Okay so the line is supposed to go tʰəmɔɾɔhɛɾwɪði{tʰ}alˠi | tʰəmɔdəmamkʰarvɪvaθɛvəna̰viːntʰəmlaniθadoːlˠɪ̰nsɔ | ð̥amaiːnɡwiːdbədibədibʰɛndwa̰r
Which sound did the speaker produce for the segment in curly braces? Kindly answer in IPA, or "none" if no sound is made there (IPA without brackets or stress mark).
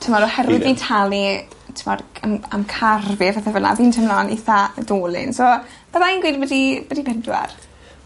tʰ